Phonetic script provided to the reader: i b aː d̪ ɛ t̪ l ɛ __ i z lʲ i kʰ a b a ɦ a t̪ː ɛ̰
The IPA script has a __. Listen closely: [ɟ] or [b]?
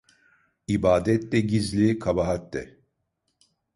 ɟ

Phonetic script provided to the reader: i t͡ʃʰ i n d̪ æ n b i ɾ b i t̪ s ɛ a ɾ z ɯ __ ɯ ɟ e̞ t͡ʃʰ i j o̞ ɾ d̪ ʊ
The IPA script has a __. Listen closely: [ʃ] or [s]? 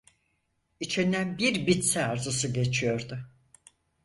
s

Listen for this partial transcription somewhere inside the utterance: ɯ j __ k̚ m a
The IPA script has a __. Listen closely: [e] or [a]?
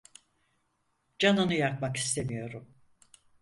a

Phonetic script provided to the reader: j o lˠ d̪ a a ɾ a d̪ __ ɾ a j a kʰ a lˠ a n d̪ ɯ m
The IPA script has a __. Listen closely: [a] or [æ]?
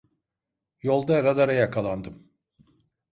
a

